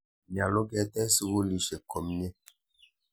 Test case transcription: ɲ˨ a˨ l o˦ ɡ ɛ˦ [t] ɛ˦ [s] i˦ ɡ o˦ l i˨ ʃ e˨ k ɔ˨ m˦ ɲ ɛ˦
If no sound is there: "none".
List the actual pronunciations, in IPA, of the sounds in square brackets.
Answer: t, s

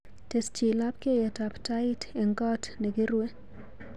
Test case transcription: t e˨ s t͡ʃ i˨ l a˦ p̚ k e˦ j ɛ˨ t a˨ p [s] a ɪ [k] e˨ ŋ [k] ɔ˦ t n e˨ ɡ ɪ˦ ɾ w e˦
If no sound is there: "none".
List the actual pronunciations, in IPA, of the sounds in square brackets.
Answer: t, t, ɡ

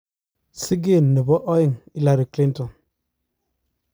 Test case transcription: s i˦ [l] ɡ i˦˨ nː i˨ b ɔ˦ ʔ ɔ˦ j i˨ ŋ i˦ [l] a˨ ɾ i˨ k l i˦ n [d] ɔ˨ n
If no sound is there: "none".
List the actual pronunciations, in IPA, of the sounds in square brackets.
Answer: none, l, t

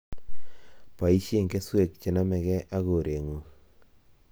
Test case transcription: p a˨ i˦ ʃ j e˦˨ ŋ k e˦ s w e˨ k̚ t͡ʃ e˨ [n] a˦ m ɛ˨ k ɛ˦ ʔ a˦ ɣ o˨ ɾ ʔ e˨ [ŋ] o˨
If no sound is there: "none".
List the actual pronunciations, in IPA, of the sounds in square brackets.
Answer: n, ŋ

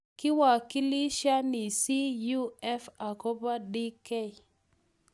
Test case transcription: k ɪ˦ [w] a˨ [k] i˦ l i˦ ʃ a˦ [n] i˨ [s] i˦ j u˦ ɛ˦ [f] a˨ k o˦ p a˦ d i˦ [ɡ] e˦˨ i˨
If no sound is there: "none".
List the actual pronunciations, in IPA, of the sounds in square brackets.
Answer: w, k, n, s, f, k

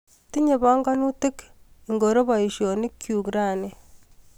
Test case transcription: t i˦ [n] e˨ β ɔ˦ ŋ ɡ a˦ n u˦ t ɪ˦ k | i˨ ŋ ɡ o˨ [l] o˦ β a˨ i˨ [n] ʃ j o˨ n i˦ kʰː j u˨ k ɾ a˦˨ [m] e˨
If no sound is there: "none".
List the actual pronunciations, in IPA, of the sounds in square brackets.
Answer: ɲ, ɾ, none, n

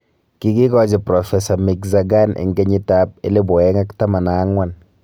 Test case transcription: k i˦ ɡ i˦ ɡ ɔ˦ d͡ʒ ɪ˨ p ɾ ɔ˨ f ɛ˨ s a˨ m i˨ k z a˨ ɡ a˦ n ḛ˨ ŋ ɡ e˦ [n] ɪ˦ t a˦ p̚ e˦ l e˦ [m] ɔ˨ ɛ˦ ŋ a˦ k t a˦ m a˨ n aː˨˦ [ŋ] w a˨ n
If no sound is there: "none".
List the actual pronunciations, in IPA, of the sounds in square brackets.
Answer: ɲ, b, ŋ

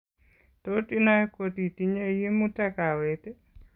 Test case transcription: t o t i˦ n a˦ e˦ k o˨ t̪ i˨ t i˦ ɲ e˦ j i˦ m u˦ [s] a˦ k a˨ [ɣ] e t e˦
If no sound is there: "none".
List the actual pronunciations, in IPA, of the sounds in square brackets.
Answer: t, w

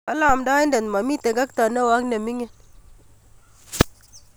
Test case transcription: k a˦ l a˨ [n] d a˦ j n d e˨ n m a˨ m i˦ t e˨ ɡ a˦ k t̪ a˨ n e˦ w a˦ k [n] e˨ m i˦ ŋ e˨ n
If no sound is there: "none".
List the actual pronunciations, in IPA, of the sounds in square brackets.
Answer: m, n

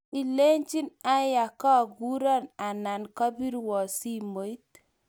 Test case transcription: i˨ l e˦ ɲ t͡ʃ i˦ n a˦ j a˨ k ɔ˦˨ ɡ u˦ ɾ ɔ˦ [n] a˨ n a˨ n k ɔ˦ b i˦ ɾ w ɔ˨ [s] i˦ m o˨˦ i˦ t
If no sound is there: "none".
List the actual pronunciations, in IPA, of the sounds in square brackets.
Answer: n, s

